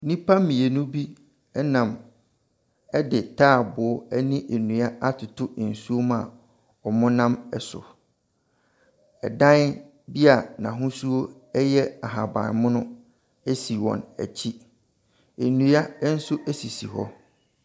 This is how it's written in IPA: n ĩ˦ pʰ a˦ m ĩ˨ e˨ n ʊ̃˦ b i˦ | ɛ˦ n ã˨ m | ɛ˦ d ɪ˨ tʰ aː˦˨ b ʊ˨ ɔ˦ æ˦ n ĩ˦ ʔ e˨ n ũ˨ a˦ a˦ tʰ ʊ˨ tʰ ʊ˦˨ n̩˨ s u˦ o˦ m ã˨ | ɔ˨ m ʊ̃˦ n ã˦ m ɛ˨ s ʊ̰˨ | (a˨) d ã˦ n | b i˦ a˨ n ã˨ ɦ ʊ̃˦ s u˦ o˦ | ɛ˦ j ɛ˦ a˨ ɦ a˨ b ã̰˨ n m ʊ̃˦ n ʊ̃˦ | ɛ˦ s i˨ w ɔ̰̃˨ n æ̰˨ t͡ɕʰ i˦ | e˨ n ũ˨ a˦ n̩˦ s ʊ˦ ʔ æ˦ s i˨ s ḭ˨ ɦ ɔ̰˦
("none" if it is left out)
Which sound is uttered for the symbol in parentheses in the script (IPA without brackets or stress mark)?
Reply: ɛ˨